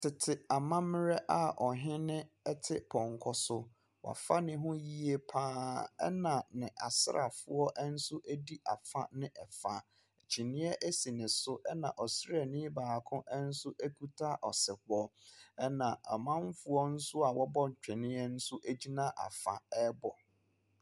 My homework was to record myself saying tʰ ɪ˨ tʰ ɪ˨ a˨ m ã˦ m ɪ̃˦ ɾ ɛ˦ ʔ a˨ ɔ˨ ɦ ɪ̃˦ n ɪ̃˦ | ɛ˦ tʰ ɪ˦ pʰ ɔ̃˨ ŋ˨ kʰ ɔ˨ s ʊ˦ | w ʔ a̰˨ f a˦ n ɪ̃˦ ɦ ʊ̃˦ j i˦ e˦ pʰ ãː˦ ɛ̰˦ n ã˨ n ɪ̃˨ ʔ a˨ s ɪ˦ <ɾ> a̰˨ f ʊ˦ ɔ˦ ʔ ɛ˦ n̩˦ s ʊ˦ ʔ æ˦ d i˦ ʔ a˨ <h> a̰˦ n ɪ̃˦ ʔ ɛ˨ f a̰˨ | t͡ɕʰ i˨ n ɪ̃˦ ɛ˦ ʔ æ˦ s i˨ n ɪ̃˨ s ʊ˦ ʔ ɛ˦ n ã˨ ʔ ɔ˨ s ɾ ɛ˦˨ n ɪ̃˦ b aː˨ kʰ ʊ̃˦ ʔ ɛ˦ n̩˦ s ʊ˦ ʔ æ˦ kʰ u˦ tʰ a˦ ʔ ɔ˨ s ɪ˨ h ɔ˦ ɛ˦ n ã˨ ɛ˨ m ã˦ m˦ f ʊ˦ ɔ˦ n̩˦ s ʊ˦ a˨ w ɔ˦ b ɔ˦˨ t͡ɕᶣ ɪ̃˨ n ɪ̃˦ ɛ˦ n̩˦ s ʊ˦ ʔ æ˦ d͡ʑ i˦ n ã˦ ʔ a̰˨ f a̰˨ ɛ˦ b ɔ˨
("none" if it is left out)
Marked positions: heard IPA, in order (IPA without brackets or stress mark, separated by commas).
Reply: ɾ, f